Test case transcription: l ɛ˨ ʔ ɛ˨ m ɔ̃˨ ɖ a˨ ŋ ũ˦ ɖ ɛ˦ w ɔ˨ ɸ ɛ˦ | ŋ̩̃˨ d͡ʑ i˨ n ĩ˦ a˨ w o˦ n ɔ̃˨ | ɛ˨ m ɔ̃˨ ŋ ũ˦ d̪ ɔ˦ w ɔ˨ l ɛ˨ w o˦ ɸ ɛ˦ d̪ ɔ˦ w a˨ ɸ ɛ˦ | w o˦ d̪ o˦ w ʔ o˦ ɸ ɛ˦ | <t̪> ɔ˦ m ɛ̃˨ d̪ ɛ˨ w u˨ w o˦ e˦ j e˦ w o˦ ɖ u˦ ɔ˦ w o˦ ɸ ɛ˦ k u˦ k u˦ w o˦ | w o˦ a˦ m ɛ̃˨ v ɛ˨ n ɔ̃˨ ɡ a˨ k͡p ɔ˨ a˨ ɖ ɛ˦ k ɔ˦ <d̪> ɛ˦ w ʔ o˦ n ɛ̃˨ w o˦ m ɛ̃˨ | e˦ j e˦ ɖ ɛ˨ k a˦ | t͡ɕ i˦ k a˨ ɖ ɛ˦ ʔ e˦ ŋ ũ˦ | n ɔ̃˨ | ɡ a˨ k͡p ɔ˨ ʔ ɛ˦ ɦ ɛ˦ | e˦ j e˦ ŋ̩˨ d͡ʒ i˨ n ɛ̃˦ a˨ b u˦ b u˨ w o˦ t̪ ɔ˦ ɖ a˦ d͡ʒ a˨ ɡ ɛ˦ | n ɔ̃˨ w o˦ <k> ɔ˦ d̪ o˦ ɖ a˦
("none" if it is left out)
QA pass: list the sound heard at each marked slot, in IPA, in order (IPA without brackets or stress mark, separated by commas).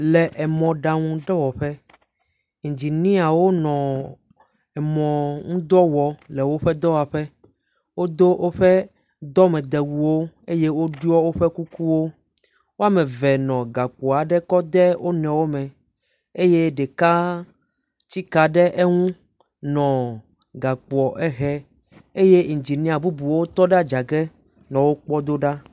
d̪, d̪, k͡p